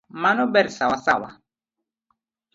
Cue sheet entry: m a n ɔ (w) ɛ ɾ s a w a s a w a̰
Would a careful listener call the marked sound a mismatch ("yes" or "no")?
yes